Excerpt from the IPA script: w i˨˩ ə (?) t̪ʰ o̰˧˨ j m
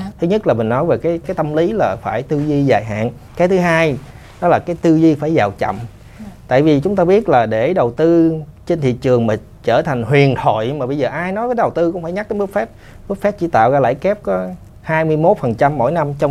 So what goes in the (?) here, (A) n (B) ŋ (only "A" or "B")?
A